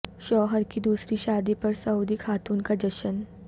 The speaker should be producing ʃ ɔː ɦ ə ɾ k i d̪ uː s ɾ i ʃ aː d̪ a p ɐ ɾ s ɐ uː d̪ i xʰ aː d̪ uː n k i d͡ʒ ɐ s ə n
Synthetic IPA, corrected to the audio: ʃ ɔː ɦ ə ɾ k i d̪ uː s ɾ i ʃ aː d̪ i p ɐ ɾ s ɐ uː d̪ i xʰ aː t̪ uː n k a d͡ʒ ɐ ʃ ə n